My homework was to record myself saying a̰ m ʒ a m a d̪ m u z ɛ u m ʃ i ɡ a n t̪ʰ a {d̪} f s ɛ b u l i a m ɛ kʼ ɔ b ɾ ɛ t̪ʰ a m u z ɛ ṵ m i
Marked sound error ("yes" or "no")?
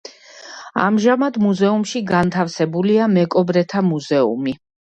yes